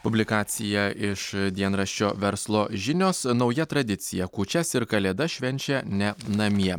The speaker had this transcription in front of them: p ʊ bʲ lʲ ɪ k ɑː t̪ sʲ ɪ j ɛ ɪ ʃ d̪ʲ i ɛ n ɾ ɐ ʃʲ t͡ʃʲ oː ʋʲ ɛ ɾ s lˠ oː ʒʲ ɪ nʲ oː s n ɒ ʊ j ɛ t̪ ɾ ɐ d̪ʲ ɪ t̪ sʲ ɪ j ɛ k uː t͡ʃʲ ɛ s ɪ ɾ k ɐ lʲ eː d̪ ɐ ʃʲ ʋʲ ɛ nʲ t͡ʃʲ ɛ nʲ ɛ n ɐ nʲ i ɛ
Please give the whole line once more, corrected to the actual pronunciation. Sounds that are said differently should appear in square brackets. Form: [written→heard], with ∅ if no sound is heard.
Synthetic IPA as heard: p ʊ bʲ lʲ ɪ k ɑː t̪ sʲ ɪ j ɛ ɪ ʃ d̪ʲ i ɛ n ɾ ɐ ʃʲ t͡ʃʲ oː ʋʲ ɛ ɾ s lˠ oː ʒʲ ɪ nʲ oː s n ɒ ʊ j ɛ t̪ ɾ ɐ d̪ʲ ɪ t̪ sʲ ɪ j ɛ k uː t͡ʃʲ ɛ s ɪ ɾ k ɐ lʲ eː d̪ ɐ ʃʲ ʋʲ ɛ nʲ t͡ʃʲ ɛ nʲ ɛ n ɐ [nʲ→mʲ] i ɛ